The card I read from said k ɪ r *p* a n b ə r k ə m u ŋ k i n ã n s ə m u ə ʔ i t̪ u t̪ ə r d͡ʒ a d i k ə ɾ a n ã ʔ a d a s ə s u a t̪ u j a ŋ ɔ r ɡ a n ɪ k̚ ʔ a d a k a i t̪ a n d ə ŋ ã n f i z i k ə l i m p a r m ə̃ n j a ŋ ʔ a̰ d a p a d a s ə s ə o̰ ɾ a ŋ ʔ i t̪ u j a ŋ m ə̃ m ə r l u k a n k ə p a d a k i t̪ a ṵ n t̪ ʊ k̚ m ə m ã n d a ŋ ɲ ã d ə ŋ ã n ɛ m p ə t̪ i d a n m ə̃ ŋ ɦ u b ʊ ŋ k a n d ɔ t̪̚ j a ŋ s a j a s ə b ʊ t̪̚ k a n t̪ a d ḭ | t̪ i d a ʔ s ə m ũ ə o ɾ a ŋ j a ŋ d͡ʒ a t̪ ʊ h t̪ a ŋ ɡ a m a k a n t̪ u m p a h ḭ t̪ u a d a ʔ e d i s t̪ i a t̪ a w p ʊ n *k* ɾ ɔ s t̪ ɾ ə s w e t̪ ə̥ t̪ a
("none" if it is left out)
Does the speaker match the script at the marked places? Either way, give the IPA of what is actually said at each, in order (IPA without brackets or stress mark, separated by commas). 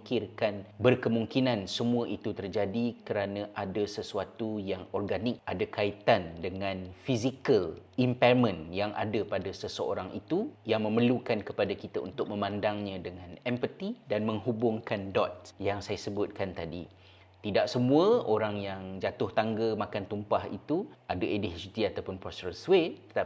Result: k, p